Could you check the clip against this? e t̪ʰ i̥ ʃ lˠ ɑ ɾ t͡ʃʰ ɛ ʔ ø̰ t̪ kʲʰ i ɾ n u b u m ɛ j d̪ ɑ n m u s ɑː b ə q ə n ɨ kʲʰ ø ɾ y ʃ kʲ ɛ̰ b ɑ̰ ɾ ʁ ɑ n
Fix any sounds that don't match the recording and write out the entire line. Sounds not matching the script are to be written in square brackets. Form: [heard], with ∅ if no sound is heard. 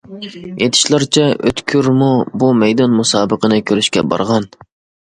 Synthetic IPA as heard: e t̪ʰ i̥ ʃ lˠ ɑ ɾ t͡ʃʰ ɛ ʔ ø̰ t̪ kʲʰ [y] ɾ [m] u b u m ɛ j d̪ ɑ n m u s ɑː b ə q ə n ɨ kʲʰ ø ɾ y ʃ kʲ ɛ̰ b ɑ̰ ɾ ʁ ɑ n